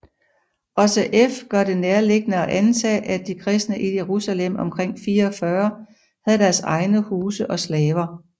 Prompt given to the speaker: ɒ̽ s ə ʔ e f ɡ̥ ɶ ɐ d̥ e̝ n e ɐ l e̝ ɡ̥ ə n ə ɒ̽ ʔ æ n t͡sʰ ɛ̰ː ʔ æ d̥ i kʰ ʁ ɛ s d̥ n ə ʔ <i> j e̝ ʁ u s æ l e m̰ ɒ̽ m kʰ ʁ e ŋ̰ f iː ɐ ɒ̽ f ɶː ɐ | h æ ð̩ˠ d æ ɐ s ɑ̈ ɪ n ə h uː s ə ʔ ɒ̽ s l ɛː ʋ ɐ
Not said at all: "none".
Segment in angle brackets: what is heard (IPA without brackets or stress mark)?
i